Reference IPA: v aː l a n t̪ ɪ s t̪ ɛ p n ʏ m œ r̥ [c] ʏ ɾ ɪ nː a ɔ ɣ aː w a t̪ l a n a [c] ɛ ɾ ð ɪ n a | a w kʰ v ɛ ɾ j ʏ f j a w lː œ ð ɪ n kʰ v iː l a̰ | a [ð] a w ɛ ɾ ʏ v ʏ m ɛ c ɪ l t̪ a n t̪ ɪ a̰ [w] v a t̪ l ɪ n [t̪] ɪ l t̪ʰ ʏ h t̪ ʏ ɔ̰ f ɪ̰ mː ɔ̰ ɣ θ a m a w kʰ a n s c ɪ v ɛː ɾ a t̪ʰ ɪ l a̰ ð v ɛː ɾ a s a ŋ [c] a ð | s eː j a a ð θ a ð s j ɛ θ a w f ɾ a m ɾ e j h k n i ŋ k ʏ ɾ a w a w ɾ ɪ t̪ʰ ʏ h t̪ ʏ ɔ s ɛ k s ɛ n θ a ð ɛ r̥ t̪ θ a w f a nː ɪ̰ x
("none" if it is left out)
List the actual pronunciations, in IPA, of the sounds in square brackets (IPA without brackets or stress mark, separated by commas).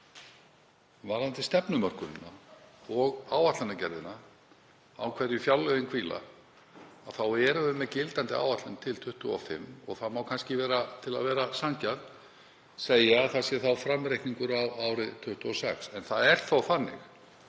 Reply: k, c, θ, w, t̪ʰ, c